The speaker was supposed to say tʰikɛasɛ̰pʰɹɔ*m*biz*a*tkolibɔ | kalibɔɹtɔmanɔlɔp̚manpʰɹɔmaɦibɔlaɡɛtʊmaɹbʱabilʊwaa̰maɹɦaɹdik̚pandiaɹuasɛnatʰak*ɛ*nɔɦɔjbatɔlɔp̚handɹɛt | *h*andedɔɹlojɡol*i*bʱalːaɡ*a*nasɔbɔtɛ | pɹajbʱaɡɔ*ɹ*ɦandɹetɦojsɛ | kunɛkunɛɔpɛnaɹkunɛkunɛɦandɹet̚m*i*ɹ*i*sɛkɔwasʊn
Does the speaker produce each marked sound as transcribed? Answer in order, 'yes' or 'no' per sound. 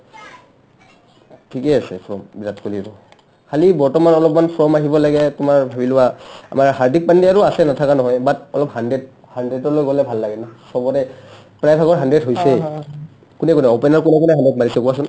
yes, yes, no, yes, no, no, yes, no, yes

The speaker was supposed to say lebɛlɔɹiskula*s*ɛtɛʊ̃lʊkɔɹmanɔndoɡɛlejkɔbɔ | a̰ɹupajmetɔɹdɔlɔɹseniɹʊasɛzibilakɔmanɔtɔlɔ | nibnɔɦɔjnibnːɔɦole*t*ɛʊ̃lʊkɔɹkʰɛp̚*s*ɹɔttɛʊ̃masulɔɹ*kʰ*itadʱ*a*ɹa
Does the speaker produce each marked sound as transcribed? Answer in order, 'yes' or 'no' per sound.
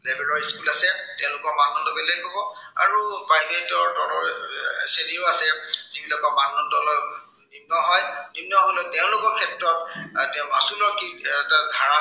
yes, yes, no, no, yes

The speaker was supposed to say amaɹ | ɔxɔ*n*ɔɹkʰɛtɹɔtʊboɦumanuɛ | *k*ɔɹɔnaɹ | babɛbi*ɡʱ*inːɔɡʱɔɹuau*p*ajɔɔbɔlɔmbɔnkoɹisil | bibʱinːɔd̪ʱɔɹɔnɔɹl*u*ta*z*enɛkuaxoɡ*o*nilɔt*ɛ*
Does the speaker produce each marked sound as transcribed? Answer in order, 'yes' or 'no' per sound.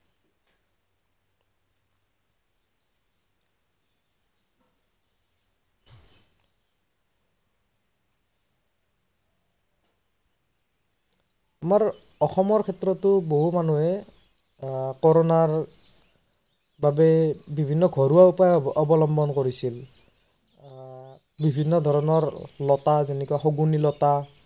no, yes, no, yes, no, yes, no, no

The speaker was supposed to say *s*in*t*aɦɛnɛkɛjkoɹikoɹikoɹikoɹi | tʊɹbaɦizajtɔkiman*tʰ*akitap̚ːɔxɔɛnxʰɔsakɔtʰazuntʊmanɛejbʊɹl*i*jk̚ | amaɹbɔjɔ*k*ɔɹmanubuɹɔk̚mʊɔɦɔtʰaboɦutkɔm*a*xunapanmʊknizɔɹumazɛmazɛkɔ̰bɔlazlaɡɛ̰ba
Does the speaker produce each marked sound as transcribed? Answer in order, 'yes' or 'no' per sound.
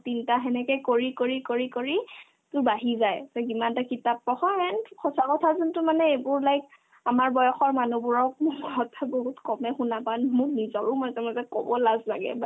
no, yes, no, no, no, no

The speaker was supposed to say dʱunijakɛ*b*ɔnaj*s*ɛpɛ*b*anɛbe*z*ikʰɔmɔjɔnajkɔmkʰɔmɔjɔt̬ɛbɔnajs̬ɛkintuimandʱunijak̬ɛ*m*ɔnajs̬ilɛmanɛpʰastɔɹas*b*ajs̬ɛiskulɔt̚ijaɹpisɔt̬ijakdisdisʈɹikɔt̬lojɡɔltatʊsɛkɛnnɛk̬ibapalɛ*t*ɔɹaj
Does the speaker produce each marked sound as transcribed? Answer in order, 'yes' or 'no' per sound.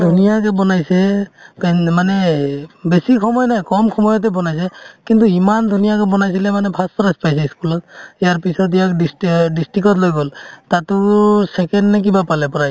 yes, yes, no, no, no, no, no

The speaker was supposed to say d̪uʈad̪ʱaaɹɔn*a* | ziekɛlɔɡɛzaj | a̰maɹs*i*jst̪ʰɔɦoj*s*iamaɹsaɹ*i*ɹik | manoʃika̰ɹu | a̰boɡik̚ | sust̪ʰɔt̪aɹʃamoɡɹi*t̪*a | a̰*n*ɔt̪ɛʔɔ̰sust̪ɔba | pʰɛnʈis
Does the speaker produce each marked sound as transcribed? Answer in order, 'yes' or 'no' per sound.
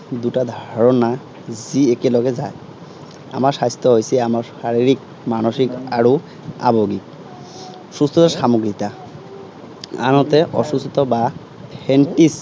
yes, no, yes, yes, yes, yes

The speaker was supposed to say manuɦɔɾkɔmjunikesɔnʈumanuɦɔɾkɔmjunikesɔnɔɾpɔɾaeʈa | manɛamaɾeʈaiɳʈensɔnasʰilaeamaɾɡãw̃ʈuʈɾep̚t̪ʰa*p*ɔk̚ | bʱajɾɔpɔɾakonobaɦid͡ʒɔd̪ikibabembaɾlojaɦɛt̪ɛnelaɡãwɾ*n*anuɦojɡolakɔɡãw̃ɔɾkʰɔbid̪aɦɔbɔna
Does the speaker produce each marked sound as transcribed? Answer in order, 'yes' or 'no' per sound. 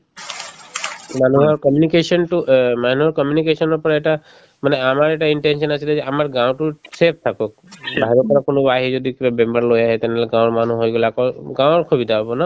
no, no

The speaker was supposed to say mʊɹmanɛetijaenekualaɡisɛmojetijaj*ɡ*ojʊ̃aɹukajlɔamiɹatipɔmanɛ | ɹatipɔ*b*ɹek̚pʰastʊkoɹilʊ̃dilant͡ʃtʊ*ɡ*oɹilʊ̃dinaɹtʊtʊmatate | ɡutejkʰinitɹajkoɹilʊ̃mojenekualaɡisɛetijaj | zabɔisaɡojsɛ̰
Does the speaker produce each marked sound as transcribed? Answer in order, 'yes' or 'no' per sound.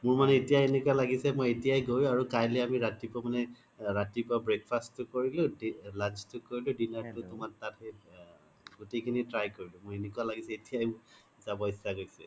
yes, yes, no

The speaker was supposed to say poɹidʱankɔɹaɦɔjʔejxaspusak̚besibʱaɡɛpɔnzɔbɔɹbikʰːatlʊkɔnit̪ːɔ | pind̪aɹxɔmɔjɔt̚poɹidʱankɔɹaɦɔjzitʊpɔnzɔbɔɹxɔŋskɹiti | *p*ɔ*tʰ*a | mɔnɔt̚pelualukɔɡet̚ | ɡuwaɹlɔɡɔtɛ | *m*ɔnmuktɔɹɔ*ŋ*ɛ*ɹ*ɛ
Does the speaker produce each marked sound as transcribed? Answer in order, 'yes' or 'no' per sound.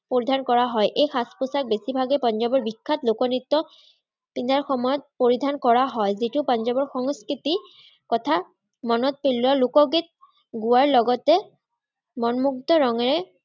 no, yes, yes, yes, yes

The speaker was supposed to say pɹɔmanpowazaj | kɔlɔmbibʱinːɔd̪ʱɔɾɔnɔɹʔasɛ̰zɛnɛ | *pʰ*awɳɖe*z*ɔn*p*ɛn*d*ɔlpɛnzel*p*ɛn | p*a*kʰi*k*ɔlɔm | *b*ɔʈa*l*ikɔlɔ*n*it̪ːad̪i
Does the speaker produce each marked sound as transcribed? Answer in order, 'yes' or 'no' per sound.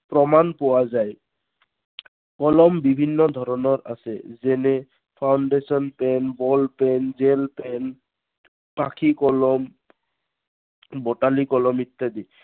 yes, no, yes, no, yes, yes, yes, yes, yes, no

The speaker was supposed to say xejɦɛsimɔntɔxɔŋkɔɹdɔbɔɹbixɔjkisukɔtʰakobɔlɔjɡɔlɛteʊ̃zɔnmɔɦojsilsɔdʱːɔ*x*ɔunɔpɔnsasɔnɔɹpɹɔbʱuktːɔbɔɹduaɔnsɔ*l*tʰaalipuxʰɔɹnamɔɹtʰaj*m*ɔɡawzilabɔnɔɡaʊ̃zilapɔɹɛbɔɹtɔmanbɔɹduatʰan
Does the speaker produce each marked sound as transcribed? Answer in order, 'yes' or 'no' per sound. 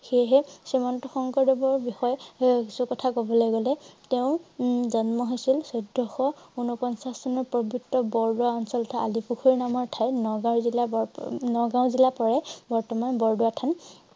yes, yes, no

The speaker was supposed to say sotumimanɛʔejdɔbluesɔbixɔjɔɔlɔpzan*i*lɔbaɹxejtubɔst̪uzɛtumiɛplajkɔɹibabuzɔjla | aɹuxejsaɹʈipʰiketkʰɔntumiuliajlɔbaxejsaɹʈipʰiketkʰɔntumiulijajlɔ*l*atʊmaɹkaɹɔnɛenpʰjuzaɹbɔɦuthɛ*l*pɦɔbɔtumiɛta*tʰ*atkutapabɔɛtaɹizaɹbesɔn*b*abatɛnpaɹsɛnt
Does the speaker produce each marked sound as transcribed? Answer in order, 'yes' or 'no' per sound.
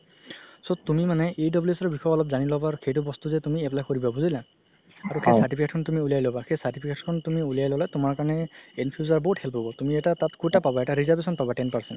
yes, yes, yes, no, no

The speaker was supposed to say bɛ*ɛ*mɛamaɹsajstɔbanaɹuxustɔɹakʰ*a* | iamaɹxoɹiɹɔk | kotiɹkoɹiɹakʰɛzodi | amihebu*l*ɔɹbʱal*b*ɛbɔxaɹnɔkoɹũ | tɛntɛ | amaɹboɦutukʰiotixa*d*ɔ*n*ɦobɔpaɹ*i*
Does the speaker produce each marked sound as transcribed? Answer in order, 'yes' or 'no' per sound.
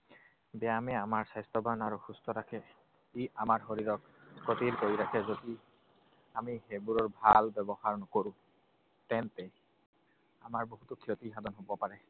no, no, no, yes, yes, yes, no

